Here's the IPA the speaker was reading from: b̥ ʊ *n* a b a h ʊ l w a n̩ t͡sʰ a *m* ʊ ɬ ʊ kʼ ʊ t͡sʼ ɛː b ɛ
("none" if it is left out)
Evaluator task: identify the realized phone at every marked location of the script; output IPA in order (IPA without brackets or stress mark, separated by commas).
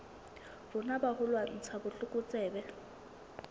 n, b